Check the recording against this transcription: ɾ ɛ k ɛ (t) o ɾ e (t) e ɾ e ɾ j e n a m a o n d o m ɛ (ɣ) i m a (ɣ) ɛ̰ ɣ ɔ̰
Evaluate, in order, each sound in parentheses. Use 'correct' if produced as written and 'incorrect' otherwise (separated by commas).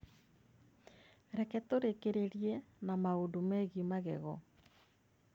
correct, incorrect, correct, correct